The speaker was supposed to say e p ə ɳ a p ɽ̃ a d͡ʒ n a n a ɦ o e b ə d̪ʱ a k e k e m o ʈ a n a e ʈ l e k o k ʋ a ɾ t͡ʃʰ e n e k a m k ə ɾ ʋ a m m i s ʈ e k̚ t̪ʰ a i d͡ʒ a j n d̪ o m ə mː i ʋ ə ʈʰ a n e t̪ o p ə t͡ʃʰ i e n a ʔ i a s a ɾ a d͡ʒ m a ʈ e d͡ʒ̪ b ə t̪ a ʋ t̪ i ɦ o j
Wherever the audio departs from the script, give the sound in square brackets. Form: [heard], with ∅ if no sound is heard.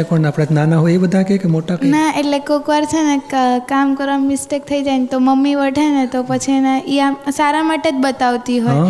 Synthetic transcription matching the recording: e p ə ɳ a p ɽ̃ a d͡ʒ n a n a ɦ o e b ə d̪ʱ a k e k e m o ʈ a n a e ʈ l e k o k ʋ a ɾ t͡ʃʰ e n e k a m k ə ɾ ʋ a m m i s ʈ e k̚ t̪ʰ [ə] i d͡ʒ a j n [t̪] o m ə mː i ʋ ə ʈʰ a n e t̪ o p ə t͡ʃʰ i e n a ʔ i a s a ɾ a [∅] m a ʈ e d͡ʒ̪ b ə t̪ a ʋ t̪ i ɦ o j